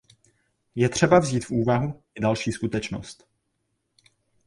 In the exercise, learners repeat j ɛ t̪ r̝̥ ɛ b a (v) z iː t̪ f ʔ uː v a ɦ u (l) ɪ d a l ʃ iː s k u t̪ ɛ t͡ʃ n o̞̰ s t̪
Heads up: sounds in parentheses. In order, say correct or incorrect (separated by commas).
correct, incorrect